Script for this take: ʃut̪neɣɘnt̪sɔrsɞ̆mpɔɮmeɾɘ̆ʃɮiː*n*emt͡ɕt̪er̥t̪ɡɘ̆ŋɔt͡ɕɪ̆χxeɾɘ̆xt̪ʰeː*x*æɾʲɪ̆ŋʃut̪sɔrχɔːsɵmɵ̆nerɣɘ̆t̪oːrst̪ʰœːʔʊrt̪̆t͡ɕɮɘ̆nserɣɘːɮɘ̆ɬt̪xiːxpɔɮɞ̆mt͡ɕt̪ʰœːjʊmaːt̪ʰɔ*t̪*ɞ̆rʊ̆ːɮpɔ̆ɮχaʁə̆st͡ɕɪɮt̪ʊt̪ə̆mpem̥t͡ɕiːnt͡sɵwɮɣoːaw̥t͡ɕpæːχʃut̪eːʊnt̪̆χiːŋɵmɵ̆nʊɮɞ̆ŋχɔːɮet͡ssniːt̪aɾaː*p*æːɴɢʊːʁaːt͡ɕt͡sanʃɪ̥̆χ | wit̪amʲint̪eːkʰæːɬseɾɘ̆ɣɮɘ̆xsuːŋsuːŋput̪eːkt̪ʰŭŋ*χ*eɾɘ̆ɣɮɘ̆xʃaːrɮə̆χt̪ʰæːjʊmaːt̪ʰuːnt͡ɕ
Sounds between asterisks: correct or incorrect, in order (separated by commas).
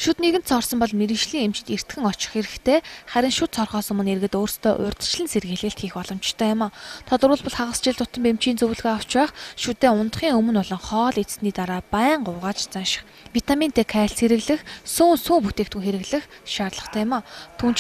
incorrect, incorrect, correct, correct, incorrect